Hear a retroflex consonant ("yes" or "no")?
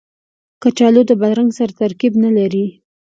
no